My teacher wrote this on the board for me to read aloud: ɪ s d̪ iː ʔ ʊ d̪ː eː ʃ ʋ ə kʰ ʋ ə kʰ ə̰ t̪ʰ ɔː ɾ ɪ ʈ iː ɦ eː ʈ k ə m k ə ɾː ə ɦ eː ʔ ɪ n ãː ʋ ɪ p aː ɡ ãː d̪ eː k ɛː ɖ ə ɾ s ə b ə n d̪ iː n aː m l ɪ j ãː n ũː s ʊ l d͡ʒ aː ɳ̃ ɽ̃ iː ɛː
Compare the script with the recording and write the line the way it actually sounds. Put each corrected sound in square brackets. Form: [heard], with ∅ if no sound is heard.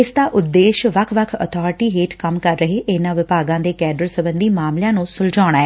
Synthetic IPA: ɪ s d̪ [aː] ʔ ʊ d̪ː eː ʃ ʋ ə kʰ ʋ ə kʰ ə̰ t̪ʰ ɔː ɾ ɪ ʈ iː ɦ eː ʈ k ə m k ə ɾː ə ɦ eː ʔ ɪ n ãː ʋ ɪ p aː ɡ ãː d̪ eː k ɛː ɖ ə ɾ s ə b ə n d̪ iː [m] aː m l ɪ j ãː n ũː s ʊ l d͡ʒ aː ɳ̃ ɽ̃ [aː] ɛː